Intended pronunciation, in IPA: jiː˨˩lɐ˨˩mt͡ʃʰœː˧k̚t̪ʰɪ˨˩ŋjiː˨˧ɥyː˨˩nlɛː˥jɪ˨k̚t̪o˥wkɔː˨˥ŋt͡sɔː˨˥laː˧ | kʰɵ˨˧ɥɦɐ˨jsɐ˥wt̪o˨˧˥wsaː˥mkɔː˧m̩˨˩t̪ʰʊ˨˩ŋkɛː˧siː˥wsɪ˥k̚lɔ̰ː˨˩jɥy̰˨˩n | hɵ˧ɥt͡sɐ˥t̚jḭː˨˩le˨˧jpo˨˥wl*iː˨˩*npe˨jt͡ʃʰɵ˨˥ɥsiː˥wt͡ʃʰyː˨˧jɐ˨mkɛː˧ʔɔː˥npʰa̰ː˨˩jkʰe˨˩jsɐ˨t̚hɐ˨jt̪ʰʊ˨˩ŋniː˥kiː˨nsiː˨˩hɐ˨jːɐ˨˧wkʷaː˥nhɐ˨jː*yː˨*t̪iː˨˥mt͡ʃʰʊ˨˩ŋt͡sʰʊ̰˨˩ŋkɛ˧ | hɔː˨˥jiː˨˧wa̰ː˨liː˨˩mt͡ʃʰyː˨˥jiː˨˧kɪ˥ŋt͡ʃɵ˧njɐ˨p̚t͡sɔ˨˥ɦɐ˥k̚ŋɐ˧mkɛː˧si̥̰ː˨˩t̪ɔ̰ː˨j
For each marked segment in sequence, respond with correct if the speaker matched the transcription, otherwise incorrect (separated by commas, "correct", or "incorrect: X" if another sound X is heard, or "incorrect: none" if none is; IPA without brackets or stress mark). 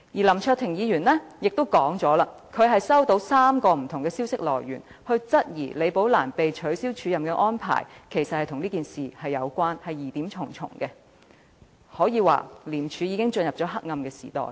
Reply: incorrect: aː˨˩, incorrect: iː˨